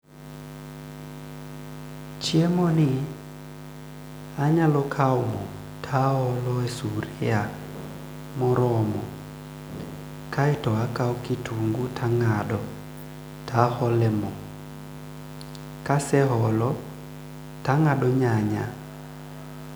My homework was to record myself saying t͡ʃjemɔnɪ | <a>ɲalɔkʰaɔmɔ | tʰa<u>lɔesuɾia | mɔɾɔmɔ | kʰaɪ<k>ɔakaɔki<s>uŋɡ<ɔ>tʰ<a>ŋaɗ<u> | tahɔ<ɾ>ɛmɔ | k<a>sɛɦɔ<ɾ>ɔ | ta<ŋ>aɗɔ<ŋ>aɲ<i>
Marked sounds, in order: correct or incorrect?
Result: correct, incorrect: ɔ, incorrect: t, incorrect: t, incorrect: u, correct, incorrect: ɔ, incorrect: l, correct, incorrect: l, correct, incorrect: ɲ, incorrect: a

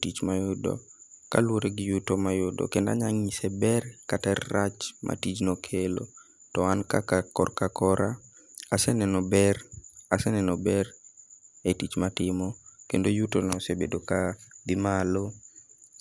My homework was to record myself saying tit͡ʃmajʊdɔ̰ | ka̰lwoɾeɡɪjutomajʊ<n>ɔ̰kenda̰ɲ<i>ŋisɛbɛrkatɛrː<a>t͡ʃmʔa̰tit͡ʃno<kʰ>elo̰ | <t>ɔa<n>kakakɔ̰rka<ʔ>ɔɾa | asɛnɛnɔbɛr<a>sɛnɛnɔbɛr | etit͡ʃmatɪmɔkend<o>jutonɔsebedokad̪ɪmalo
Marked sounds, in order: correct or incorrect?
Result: incorrect: d, incorrect: a, correct, correct, correct, correct, incorrect: k, correct, correct

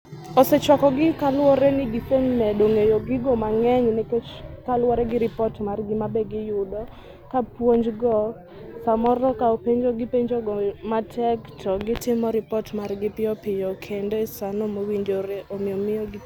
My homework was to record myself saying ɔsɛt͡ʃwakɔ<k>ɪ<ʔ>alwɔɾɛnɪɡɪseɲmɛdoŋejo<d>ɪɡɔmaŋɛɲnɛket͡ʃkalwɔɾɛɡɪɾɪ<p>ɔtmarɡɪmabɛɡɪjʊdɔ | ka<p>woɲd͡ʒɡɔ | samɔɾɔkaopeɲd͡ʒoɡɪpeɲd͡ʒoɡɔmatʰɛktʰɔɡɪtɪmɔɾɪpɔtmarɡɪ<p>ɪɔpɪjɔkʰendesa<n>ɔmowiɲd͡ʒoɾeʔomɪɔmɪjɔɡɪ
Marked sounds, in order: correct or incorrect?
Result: incorrect: ɡ, incorrect: k, incorrect: ɡ, correct, correct, correct, correct

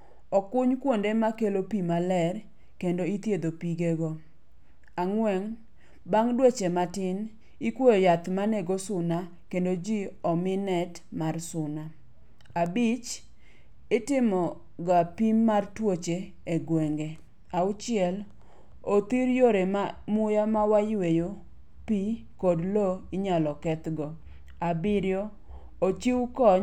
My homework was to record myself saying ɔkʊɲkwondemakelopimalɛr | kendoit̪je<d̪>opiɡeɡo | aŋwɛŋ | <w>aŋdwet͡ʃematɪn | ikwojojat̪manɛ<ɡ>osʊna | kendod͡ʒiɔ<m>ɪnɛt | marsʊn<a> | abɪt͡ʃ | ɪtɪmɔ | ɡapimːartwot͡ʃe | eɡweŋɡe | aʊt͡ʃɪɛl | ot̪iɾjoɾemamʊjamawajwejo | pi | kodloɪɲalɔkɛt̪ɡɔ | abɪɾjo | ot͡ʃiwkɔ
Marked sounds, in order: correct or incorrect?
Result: correct, incorrect: b, correct, correct, correct

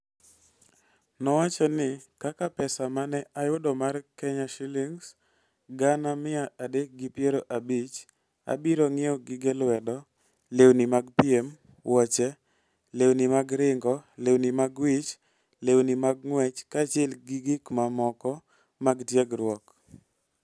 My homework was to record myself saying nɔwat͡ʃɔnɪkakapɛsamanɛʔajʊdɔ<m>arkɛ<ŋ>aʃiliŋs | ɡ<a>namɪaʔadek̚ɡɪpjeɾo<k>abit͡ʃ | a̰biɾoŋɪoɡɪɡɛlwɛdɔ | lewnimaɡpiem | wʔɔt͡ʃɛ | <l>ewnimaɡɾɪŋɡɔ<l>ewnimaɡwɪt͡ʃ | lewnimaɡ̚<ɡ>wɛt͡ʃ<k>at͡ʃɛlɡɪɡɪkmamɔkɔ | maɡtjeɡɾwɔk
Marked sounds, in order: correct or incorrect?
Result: correct, incorrect: ɲ, correct, incorrect: ʔ, correct, correct, incorrect: ŋ, correct

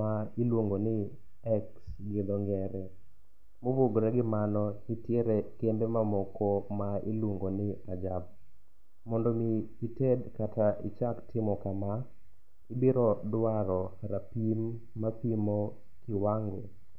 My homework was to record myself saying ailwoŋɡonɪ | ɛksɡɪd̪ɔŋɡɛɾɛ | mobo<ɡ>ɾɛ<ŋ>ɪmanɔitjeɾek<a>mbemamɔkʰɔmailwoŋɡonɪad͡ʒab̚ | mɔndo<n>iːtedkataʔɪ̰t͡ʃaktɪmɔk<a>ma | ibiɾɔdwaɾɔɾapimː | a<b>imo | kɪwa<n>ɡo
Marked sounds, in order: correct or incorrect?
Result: correct, incorrect: ɡ, incorrect: e, incorrect: m, correct, incorrect: p, incorrect: ŋ

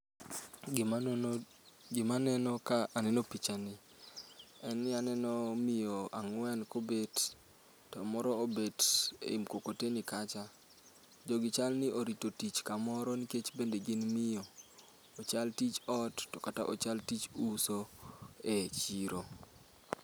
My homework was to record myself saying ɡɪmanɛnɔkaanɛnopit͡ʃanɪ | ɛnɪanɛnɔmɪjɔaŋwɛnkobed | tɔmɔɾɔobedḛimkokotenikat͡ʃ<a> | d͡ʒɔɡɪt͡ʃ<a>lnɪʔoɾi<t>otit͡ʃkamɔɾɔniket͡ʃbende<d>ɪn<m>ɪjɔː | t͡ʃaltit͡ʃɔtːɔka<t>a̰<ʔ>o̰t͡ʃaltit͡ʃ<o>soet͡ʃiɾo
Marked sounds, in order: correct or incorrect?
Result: correct, correct, correct, incorrect: ɡ, correct, correct, correct, incorrect: u

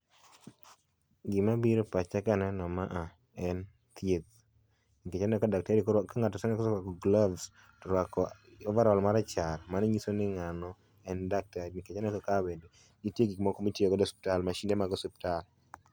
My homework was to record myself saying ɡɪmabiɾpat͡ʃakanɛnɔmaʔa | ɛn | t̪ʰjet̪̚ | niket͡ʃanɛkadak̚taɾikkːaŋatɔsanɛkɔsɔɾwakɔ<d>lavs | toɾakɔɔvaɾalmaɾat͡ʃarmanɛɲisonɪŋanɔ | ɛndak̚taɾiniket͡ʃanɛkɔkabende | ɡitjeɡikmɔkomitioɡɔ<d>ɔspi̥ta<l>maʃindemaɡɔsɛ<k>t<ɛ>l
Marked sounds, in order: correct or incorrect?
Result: incorrect: ɡ, correct, correct, incorrect: p, incorrect: a

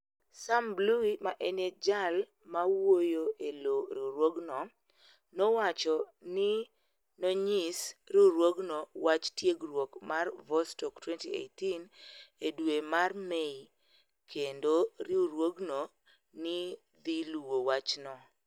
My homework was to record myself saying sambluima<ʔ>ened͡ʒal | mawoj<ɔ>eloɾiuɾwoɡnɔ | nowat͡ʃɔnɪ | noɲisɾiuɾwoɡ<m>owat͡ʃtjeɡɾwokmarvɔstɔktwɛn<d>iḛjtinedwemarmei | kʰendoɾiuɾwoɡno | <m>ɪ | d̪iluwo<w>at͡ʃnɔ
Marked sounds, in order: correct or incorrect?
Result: correct, incorrect: o, incorrect: n, incorrect: t, incorrect: n, correct

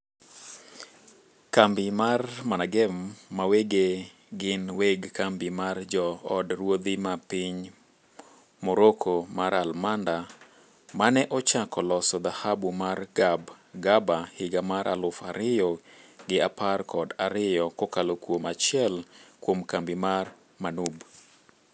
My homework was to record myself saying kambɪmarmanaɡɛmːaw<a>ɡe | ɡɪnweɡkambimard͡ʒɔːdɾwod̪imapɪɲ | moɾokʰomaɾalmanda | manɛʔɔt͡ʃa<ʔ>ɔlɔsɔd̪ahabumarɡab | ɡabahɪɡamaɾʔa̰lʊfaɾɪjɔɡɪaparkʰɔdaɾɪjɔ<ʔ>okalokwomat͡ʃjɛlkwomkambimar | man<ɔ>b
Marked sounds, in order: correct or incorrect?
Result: incorrect: e, incorrect: k, incorrect: k, incorrect: u

